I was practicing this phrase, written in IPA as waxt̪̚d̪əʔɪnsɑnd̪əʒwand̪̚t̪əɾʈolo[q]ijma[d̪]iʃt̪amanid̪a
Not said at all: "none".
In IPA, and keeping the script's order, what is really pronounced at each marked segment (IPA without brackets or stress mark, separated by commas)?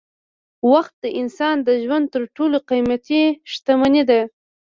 q, t̪